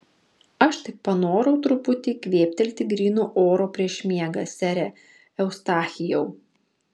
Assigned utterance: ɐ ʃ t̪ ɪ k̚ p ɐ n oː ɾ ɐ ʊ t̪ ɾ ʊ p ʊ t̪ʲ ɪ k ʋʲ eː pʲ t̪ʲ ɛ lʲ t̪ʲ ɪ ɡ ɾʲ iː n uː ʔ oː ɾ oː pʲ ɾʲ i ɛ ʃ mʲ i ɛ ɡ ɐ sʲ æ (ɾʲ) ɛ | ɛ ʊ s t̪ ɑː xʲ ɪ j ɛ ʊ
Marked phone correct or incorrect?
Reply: correct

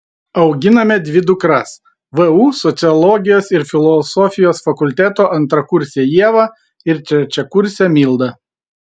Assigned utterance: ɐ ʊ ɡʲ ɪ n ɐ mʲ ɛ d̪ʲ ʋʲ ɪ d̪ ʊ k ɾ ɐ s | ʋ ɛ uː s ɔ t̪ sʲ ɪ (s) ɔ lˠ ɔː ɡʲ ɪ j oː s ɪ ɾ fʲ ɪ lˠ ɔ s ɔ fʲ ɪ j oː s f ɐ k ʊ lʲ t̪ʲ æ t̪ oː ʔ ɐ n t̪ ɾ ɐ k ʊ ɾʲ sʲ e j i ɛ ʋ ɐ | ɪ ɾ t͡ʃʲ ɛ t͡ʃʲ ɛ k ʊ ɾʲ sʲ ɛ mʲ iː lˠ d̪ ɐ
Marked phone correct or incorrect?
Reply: incorrect: none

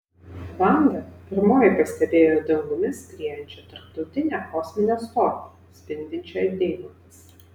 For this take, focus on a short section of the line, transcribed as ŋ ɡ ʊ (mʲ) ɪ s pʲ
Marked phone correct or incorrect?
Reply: correct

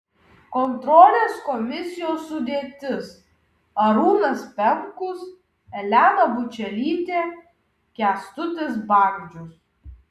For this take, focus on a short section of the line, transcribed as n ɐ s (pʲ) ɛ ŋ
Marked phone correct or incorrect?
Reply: correct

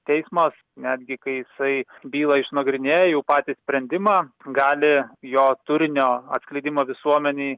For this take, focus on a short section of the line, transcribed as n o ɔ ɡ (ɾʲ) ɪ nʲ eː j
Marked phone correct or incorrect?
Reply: correct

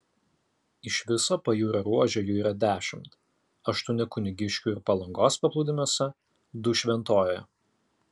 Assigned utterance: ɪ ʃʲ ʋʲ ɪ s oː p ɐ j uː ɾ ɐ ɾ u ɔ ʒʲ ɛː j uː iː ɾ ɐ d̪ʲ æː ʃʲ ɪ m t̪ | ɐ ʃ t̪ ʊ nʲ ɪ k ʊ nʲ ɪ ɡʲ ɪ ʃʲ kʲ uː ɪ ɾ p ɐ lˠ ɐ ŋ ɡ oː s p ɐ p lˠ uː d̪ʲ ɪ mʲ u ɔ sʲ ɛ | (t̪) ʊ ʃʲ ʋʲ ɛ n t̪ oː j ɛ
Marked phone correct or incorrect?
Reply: incorrect: d̪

